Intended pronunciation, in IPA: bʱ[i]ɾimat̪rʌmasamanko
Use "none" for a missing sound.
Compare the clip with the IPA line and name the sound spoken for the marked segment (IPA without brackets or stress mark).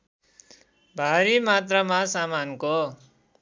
a